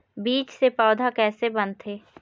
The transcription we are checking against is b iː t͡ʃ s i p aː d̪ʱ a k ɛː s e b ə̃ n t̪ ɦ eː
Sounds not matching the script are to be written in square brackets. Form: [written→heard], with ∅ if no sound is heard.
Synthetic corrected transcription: b iː t͡ʃ s [i→e] p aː d̪ʱ a k ɛː s e b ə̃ n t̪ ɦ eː